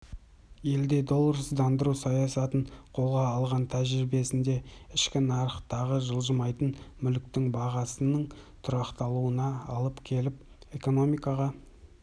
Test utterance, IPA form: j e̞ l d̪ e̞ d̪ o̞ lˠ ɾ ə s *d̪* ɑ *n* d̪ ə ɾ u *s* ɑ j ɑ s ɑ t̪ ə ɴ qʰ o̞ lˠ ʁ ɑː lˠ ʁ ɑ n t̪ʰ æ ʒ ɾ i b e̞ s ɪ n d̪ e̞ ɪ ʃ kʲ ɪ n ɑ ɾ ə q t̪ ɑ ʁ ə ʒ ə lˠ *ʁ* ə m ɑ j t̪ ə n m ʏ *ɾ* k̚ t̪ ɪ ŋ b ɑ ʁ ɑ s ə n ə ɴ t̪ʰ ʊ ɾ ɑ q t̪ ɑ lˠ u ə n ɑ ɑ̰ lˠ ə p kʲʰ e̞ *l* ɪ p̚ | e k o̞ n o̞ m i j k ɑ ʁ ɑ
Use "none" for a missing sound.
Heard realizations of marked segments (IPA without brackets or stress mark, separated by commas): d̪, n, s, ʒ, l, l